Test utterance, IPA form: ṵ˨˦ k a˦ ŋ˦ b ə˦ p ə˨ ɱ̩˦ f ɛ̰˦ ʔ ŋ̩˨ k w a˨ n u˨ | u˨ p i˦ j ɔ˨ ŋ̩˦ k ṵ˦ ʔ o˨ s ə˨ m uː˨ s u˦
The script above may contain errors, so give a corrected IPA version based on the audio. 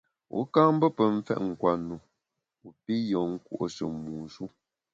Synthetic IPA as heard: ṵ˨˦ k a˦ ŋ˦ b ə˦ p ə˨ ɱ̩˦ f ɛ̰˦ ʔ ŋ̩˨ k w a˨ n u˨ | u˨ p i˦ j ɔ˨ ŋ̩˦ k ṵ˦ ʔ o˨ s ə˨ m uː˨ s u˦